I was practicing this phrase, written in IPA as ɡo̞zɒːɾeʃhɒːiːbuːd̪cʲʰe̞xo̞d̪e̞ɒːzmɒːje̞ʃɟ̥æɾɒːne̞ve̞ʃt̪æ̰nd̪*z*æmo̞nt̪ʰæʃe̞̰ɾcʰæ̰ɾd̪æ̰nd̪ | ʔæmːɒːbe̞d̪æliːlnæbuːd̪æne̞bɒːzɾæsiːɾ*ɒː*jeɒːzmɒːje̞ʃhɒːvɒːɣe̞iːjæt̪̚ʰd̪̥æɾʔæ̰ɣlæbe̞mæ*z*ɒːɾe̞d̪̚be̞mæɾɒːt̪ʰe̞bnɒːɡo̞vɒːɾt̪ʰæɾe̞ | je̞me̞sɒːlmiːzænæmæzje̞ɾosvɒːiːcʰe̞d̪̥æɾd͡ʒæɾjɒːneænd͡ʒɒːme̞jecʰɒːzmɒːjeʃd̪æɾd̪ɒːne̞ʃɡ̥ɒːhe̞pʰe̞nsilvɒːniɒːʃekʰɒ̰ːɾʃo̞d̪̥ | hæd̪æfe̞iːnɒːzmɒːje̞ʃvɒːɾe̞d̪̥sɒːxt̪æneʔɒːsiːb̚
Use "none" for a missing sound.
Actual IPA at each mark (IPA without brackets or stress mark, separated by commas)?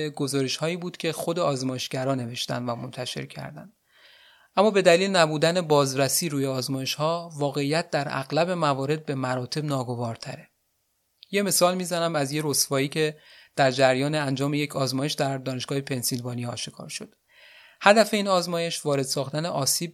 v, uː, v